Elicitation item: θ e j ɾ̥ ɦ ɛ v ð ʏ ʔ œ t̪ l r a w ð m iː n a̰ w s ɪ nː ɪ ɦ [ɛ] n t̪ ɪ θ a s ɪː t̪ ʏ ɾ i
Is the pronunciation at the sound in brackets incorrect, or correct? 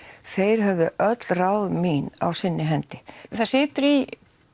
correct